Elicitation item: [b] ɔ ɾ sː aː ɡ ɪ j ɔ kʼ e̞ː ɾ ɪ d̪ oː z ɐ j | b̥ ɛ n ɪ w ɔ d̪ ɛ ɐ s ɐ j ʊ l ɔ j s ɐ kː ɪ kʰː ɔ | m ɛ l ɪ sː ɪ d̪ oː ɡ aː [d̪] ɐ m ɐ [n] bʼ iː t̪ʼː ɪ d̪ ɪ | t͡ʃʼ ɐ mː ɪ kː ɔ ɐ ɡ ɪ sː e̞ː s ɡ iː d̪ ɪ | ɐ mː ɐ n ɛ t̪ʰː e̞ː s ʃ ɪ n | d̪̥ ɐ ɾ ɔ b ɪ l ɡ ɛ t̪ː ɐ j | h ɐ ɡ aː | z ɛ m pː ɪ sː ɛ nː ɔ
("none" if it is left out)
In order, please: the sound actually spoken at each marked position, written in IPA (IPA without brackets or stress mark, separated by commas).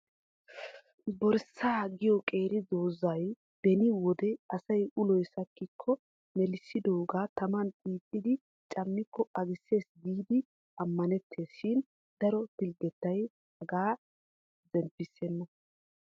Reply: b, t̪, n